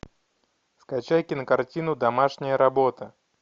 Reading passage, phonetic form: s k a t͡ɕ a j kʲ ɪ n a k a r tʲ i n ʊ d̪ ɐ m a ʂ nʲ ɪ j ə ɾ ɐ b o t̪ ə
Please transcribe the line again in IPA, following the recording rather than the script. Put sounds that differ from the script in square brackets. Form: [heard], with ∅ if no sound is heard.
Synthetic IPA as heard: s k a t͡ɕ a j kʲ ɪ n [ə] k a r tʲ i n ʊ d̪ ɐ m a ʂ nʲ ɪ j ə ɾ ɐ b o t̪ ə